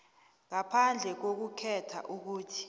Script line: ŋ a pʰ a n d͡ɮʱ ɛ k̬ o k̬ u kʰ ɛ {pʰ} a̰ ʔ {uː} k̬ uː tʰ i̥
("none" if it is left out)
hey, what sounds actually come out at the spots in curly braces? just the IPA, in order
tʰ, u

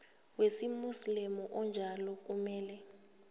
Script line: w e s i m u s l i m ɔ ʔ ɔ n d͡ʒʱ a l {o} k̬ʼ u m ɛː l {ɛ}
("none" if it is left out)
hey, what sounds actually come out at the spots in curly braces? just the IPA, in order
ɔ, ɛ

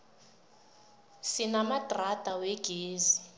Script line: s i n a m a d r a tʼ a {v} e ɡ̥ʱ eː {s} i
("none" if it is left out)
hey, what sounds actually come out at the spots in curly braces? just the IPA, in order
w, z

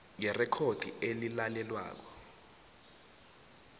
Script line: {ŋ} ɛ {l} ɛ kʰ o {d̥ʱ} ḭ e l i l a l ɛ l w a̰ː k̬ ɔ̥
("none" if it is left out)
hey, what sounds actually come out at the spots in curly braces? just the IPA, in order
ŋ, r, d̥ʱ

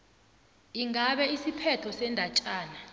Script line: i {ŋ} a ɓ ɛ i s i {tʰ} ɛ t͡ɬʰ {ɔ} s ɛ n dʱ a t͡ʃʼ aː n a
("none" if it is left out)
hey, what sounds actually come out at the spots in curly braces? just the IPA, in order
ŋ, pʰ, ɔ

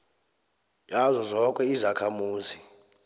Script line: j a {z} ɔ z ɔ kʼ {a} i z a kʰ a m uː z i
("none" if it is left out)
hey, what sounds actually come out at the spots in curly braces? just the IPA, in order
z, ɛ

